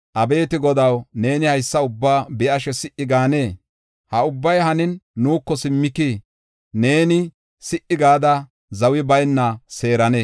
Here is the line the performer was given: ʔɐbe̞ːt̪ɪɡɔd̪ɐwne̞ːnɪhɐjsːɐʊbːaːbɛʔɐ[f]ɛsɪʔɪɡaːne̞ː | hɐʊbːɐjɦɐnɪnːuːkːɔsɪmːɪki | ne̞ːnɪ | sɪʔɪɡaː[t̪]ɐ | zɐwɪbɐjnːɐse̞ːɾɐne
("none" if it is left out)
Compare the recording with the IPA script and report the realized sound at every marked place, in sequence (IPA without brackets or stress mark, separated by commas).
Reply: ʃ, d̪